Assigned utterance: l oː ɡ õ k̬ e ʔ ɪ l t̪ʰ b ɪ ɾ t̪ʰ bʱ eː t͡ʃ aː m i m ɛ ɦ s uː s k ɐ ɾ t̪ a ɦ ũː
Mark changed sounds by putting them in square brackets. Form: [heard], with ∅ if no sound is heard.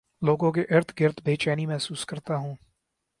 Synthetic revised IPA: l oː ɡ õ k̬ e ʔ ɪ [ɾ] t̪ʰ [ɡ] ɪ ɾ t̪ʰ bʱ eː t͡ʃ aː [n] i m ɛ ɦ s uː s k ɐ ɾ t̪ a ɦ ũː